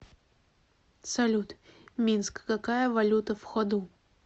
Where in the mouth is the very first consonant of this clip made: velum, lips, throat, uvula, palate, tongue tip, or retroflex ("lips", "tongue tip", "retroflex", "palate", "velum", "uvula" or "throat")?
tongue tip